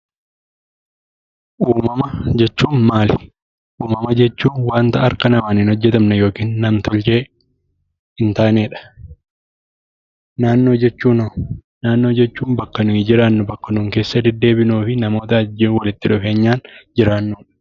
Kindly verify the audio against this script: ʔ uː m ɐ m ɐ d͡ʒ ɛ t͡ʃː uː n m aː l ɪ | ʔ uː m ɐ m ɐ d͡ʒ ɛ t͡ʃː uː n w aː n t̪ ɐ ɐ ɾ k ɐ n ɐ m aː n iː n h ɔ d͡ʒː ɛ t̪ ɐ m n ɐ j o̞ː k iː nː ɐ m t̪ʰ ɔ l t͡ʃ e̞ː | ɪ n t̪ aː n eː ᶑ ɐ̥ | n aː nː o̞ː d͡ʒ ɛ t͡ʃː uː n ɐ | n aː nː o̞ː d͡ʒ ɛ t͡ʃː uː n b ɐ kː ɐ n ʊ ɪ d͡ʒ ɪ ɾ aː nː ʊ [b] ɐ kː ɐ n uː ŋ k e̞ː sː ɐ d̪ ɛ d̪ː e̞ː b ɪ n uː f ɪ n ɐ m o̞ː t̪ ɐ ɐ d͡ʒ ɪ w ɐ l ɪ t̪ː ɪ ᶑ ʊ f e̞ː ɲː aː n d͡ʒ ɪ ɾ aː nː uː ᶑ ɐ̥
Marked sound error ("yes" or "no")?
no